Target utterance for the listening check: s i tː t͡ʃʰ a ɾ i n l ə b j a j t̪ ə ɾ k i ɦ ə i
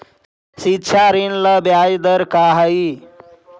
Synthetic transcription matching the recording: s i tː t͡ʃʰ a ɾ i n l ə b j a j d̪ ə ɾ k a ɦ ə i